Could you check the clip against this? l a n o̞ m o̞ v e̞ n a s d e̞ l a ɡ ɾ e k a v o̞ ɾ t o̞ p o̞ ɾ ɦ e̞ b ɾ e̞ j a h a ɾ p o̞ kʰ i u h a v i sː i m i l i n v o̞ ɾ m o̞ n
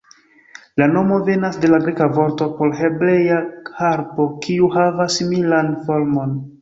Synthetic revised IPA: l a n o̞ m o̞ v e̞ n a s d e̞ l a ɡ ɾ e k a v o̞ ɾ t o̞ p o̞ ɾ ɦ e̞ b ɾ e̞ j a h a ɾ p o̞ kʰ i u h a v a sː i m i l a n f o̞ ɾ m o̞ n